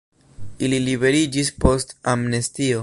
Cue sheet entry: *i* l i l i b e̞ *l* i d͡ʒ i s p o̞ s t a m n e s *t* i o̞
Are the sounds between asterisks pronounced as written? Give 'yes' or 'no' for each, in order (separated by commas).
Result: yes, no, yes